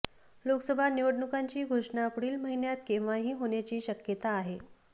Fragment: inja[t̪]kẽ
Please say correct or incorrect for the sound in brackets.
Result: correct